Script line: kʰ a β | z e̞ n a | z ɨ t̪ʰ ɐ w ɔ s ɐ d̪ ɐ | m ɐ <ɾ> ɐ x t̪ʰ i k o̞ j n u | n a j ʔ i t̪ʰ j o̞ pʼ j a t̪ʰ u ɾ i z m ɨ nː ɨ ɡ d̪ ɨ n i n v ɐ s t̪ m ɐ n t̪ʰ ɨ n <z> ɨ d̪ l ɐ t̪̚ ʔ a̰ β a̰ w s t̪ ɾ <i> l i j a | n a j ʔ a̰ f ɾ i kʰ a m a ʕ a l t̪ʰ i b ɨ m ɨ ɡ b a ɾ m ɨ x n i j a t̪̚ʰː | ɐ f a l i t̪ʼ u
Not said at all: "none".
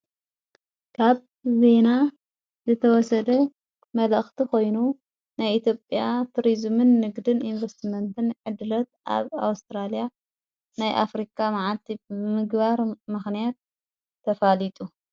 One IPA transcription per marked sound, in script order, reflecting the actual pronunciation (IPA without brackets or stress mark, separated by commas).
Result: l, ʕ, a